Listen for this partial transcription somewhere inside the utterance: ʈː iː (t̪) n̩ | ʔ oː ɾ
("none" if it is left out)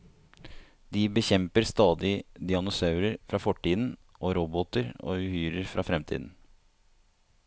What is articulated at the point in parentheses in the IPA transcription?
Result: d̪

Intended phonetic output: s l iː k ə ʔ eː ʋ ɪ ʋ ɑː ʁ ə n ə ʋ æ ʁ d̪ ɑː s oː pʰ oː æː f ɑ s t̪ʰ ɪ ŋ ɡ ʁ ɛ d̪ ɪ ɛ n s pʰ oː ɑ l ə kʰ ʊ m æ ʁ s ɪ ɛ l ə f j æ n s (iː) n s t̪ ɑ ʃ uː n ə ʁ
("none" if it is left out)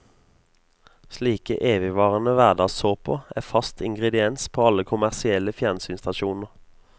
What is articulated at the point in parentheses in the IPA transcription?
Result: yː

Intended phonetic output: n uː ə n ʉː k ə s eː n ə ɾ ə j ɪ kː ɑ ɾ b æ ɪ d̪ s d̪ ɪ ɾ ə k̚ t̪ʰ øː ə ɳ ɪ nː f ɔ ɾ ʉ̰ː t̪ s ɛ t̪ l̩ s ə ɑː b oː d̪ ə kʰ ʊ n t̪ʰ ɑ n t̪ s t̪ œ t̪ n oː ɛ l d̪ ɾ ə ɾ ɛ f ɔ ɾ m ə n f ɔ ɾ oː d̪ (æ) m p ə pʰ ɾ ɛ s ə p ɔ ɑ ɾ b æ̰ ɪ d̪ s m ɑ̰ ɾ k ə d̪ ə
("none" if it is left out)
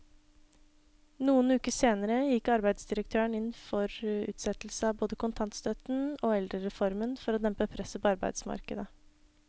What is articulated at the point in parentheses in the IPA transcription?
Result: ɛ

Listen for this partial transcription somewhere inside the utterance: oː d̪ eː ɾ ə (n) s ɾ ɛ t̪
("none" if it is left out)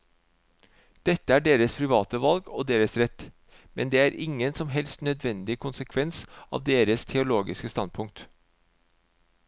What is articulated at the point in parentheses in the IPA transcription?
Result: none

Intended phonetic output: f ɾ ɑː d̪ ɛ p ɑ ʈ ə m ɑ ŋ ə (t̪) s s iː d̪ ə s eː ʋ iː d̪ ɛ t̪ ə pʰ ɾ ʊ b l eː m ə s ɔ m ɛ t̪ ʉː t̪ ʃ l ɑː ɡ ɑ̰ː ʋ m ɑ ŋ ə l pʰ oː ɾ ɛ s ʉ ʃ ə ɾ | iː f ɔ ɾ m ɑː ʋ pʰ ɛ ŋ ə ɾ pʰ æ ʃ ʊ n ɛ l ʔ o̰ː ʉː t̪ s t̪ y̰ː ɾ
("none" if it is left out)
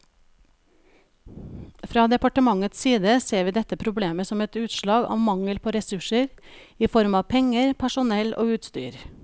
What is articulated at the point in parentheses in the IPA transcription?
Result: t̪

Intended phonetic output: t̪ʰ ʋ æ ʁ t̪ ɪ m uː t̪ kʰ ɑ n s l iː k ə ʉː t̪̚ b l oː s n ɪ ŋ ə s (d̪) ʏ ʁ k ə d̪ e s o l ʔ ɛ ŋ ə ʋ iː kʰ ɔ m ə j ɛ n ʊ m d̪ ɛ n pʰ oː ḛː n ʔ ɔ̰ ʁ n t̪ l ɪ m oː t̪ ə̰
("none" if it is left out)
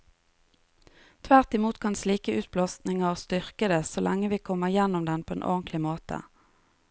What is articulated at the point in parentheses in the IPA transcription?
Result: t̪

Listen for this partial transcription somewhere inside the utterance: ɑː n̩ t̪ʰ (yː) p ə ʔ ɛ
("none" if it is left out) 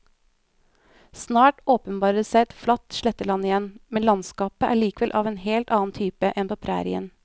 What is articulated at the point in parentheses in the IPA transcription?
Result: yː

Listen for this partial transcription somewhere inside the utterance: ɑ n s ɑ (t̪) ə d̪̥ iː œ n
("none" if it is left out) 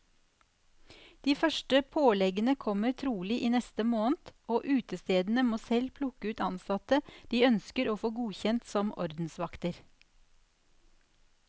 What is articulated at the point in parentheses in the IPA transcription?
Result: t̪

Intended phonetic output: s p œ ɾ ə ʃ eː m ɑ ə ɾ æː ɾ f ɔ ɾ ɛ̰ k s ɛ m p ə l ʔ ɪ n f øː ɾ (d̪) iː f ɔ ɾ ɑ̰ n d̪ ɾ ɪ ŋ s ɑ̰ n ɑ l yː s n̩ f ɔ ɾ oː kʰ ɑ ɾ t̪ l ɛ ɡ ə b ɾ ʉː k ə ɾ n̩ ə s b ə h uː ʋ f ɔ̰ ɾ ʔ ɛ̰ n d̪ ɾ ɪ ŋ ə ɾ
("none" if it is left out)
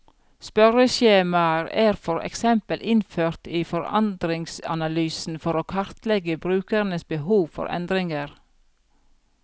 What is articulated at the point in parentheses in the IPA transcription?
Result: t̪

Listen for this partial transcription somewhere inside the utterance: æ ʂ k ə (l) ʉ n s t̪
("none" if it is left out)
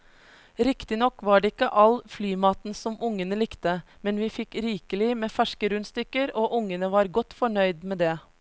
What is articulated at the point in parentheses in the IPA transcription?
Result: ɾ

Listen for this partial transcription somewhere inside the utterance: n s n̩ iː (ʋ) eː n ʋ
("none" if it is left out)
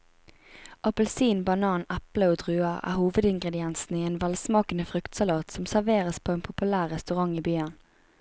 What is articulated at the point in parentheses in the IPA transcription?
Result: none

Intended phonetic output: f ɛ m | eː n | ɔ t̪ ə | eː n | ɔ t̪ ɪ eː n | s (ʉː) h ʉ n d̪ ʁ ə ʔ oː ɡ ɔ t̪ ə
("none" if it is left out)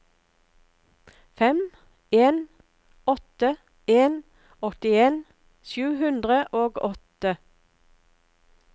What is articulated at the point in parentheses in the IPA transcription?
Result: ʉː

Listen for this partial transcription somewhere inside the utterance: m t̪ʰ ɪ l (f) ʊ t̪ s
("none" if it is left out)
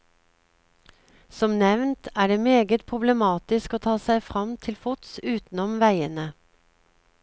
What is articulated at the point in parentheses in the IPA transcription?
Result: f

